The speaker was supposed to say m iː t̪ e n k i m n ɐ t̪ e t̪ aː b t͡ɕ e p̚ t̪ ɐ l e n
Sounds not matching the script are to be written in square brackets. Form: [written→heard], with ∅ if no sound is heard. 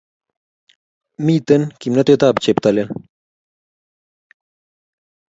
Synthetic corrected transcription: m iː t̪ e n k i m n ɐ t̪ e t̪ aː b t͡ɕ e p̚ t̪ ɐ l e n